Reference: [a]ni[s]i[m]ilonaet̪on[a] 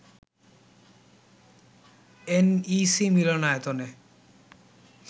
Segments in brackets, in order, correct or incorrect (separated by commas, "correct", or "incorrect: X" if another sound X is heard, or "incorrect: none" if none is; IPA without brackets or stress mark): incorrect: e, correct, correct, incorrect: e